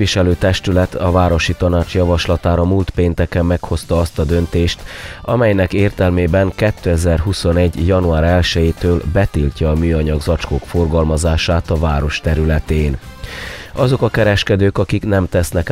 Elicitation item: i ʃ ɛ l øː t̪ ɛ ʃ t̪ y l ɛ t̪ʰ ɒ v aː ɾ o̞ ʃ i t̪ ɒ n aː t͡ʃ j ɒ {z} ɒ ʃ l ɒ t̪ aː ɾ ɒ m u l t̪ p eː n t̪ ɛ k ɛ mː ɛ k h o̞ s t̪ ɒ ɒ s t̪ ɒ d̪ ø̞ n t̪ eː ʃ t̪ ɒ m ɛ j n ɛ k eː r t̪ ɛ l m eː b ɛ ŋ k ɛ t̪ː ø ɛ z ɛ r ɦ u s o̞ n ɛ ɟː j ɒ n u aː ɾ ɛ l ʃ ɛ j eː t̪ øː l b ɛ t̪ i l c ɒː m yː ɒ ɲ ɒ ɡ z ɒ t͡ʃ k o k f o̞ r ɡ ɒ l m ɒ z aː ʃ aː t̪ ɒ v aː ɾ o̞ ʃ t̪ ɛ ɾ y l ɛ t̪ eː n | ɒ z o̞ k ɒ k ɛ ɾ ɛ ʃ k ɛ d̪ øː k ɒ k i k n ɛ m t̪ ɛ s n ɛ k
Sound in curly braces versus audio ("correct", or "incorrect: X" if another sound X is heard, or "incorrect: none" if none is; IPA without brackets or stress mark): incorrect: v